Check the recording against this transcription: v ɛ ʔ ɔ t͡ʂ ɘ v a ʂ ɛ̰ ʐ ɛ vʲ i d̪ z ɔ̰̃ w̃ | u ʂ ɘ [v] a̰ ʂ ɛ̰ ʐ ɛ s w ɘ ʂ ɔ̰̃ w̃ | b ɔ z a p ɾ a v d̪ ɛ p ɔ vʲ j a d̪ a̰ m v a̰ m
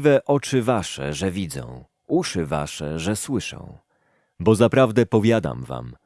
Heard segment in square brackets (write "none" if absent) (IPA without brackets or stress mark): v